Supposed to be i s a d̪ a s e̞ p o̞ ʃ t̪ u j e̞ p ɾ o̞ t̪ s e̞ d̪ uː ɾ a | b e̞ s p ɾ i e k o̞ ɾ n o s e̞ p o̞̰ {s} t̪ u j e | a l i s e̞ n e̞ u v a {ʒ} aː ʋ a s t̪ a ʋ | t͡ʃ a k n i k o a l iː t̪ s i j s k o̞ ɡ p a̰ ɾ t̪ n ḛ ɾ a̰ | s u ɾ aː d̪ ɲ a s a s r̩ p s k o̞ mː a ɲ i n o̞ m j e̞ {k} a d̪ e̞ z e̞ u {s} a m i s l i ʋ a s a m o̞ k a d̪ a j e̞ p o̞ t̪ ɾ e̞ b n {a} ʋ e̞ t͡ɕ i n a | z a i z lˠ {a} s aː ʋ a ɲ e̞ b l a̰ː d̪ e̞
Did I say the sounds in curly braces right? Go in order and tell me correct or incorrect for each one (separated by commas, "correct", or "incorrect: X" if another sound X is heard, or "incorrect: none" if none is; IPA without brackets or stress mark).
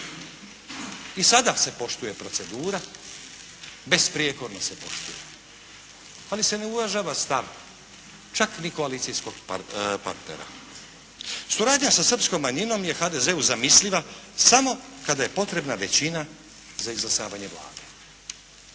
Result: incorrect: ʃ, correct, incorrect: x, incorrect: z, correct, correct